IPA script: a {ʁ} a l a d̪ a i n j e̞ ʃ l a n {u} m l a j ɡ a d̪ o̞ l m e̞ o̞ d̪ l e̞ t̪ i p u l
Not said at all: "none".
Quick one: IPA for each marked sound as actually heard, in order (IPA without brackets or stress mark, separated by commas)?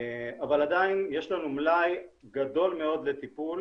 v, u